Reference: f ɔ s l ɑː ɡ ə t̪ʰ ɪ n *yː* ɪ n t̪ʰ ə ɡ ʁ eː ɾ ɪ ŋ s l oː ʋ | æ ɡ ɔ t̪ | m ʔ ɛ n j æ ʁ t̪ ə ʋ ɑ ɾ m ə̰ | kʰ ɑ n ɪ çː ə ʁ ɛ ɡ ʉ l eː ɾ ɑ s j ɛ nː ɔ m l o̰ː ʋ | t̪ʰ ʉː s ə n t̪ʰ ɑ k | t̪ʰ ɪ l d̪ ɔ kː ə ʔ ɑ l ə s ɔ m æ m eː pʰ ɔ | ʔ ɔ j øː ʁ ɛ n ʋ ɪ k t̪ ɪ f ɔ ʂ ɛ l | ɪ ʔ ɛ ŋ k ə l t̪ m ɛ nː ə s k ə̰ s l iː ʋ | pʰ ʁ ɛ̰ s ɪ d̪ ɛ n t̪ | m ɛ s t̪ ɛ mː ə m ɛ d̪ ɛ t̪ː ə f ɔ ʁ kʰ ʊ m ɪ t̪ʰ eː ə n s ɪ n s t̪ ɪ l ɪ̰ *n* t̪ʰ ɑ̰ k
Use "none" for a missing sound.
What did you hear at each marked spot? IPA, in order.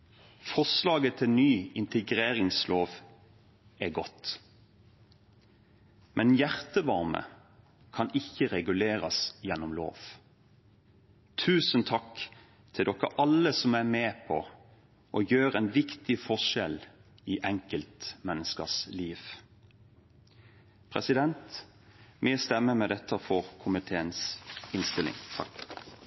yː, ŋ

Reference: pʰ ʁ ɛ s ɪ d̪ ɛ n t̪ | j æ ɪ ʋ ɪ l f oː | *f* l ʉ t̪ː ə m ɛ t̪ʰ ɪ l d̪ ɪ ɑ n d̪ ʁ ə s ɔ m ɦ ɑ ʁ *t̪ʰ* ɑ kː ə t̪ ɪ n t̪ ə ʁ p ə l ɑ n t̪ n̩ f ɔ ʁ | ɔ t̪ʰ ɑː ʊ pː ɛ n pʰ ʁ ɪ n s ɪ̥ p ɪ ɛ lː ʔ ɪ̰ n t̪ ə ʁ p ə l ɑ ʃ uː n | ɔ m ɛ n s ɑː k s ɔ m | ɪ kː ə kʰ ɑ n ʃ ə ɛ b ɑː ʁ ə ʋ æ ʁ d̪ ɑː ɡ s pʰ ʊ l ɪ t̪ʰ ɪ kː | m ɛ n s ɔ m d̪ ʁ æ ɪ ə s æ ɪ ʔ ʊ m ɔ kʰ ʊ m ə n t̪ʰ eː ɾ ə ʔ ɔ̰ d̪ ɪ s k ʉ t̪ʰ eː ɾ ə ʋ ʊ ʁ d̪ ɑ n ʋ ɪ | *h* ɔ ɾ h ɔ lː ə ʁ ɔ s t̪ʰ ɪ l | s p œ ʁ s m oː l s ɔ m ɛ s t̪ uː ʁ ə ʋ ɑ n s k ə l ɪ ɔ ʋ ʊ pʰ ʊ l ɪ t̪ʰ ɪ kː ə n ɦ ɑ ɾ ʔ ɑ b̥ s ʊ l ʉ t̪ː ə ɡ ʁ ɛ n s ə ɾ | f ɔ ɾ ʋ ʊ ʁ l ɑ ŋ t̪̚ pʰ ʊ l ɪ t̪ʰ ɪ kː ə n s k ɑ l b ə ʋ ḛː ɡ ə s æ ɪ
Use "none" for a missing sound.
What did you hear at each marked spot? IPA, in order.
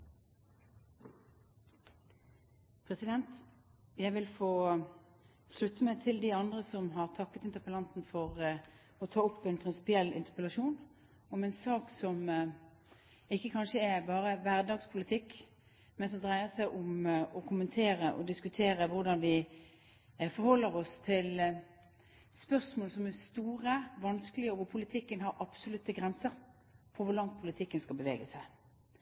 s, t̪ʰ, f

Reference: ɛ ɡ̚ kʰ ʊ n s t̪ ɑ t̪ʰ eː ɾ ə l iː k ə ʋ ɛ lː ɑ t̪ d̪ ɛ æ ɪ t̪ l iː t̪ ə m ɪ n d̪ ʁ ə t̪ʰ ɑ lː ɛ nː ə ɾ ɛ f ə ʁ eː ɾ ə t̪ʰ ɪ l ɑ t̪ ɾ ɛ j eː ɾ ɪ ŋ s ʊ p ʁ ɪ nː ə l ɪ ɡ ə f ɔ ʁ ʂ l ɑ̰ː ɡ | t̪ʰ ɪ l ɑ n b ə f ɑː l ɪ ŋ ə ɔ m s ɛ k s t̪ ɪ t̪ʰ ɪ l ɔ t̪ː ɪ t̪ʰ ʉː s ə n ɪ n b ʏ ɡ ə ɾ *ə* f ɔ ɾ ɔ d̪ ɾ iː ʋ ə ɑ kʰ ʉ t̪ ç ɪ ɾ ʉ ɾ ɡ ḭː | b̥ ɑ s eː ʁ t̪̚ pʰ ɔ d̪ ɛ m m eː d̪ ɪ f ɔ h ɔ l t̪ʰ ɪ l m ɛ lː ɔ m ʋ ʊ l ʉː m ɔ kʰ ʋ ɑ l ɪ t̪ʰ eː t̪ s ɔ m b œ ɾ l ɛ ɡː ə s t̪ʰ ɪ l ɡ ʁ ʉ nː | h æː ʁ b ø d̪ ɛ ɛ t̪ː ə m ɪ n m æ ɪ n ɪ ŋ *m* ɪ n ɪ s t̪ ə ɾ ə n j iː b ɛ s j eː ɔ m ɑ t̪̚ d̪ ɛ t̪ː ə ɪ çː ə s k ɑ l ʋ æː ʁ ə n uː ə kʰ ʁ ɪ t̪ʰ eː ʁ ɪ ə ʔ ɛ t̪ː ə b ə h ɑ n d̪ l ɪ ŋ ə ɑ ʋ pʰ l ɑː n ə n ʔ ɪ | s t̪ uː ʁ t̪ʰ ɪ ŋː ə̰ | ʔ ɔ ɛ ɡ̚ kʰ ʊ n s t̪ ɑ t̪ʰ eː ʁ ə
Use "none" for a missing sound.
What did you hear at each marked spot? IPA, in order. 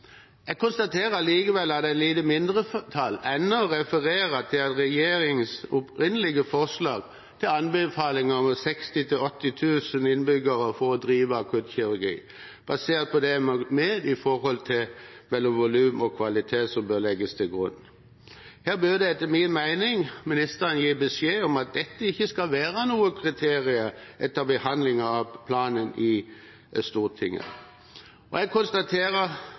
ə, m

